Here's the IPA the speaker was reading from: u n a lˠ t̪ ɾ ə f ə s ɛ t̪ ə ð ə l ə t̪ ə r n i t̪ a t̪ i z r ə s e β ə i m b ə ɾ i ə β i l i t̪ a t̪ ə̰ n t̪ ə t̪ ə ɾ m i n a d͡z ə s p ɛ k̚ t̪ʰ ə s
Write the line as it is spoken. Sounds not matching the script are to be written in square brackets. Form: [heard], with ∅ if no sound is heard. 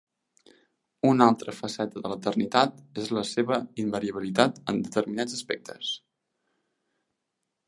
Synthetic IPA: u n a lˠ t̪ ɾ ə f ə s ɛ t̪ ə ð ə l ə t̪ ə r n i t̪ a t̪ [e] z [l] ə s e β ə i m b ə ɾ i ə β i l i t̪ a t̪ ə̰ n [d̪] ə t̪ ə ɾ m i n a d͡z ə s p ɛ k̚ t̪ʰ ə s

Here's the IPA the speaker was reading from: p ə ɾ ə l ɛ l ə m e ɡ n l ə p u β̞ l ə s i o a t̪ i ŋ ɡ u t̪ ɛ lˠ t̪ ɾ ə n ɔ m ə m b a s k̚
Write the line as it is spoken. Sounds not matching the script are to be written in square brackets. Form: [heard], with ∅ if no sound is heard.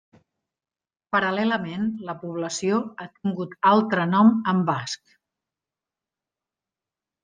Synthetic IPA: p ə ɾ ə l ɛ l ə m e [∅] n l ə p u β̞ l ə s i o a t̪ i ŋ ɡ u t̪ [a] lˠ t̪ ɾ ə n ɔ m ə m b a s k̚

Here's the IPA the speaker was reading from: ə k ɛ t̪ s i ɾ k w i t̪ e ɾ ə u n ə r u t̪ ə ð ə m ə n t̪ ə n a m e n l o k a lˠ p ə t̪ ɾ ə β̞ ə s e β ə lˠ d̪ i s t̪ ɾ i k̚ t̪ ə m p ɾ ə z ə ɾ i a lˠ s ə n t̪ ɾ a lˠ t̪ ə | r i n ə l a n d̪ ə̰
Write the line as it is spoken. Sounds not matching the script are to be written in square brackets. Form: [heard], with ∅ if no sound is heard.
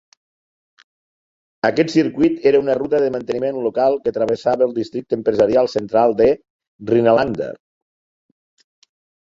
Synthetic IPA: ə k ɛ t̪ s i ɾ k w i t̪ e ɾ ə u n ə r u t̪ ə ð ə m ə n t̪ ə n [i] m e n l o k a lˠ [k] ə t̪ ɾ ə β̞ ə s [a] β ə lˠ d̪ i s t̪ ɾ i k̚ t̪ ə m p ɾ ə z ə ɾ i a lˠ s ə n t̪ ɾ a lˠ [d̪] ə | r i n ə l a n d̪ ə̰

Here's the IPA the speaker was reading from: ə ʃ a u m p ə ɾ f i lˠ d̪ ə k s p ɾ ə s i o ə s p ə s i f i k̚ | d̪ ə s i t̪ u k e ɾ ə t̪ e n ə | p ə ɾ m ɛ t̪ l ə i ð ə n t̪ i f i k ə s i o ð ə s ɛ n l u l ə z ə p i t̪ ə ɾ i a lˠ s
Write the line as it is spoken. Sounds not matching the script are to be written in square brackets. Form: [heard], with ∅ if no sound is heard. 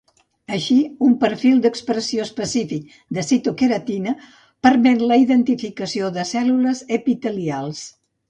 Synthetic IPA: ə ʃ [i] u m p ə ɾ f i lˠ d̪ ə k s p ɾ ə s i o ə s p ə s i f i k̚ | d̪ ə s i t̪ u k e ɾ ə t̪ [i] n ə | p ə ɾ m ɛ t̪ l ə i ð ə n t̪ i f i k ə s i o ð ə s ɛ [∅] l u l ə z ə p i t̪ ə [l] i a lˠ s

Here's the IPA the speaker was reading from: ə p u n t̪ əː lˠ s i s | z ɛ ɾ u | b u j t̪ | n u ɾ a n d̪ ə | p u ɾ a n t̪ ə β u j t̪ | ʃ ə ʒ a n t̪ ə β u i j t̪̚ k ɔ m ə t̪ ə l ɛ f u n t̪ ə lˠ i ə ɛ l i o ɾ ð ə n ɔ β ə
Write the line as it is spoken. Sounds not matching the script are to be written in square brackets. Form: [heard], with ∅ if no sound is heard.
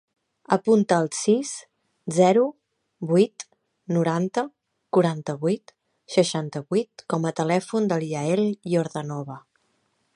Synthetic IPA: ə p u n t̪ əː lˠ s i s | z ɛ ɾ u | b u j t̪ | n u ɾ a n [t̪] ə | [k] u ɾ a n t̪ ə β u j t̪ | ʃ ə [ʃ] a n t̪ ə β u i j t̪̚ k ɔ m ə t̪ ə l ɛ f u n [d̪] ə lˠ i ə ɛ l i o ɾ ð ə n ɔ β ə

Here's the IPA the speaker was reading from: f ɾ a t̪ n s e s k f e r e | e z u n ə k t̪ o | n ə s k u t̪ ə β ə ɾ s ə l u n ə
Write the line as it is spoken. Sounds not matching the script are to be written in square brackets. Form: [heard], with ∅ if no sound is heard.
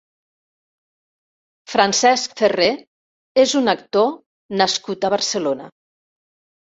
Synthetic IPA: f ɾ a [∅] n s [ɛ] s k f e r e | e z u n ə k t̪ o | n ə s k u t̪ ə β ə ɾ s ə l [o] n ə

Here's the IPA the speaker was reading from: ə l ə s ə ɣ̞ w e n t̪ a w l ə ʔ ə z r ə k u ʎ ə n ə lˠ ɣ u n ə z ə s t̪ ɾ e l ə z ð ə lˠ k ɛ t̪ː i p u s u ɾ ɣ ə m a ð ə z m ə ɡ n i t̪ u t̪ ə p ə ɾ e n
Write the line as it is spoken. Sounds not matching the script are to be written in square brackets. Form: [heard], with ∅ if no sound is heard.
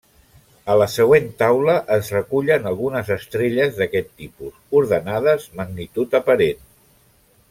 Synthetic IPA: ə l ə s ə ɣ̞ w e n t̪ a w l ə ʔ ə z r ə k u ʎ ə n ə lˠ ɣ u n ə z ə s t̪ ɾ e [ʎ] ə z ð ə [∅] k ɛ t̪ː i p u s u ɾ [ð] ə [n] a ð ə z m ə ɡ n i t̪ u t̪ ə p ə ɾ e n

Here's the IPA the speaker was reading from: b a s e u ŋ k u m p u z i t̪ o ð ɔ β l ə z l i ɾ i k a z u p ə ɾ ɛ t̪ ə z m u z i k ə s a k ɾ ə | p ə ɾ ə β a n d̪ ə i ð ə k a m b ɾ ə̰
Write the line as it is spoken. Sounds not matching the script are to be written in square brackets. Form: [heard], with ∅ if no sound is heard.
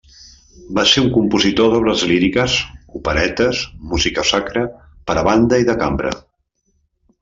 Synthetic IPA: b a s e u ŋ k u m p u z i t̪ o ð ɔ β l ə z l i ɾ i k [ə] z u p ə ɾ ɛ t̪ ə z m u z i k ə s a k ɾ ə | p ə ɾ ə β a n d̪ ə i ð ə k a m b ɾ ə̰

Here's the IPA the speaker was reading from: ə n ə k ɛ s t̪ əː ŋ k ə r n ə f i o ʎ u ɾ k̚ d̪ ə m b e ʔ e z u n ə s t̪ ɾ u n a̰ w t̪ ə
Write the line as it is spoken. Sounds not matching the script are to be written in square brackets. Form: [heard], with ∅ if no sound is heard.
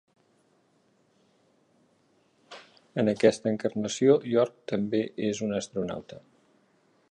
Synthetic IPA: ə n ə k ɛ s t̪ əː ŋ k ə r n ə [s] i o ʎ [ɔ] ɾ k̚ [t̪] ə m b e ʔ e z u n ə s t̪ ɾ u n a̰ w t̪ ə

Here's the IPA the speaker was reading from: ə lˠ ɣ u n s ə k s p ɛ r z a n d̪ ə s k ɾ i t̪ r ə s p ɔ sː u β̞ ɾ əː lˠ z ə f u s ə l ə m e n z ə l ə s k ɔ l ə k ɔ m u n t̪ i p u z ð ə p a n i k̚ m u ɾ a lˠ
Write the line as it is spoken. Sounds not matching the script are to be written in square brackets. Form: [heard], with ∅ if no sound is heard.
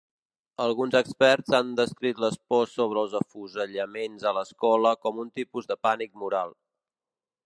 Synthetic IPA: ə lˠ ɣ u n [z] ə k s p ɛ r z a n d̪ ə s k ɾ i t̪ [l] ə s p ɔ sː [o] β̞ ɾ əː lˠ z ə f u [z] ə [ʎ] ə m e n z ə l ə s k ɔ l ə k ɔ m u n t̪ i p u z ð ə p a n i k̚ m u ɾ a lˠ

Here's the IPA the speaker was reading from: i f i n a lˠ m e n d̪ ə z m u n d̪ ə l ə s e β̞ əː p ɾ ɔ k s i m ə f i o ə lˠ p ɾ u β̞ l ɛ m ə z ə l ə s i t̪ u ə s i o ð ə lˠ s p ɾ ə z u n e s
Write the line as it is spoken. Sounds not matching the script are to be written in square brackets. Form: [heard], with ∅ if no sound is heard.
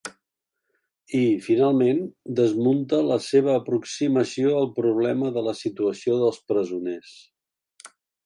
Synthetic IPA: i f i n a lˠ m e n d̪ ə z m u n [t̪] ə l ə s e β̞ əː p ɾ [u] k s i m ə [s] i o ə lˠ p ɾ u β̞ l ɛ m ə [ð] ə l ə s i t̪ u ə s i o ð ə lˠ s p ɾ ə z u n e s

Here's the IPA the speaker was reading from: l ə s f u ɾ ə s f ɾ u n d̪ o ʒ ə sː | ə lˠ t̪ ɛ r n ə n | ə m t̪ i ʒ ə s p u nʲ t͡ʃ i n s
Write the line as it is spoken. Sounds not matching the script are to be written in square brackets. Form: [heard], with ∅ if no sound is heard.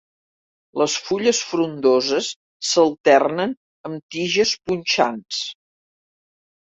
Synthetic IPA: l ə s f u [ʎ] ə s f ɾ u n d̪ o [z] ə sː | ə lˠ t̪ ɛ r n ə n | ə m t̪ i ʒ ə s p u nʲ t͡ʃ [a] n s

